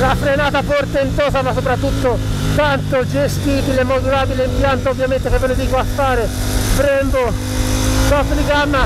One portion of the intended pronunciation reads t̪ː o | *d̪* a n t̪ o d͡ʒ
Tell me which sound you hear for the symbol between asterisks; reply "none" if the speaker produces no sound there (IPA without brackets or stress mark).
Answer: t̪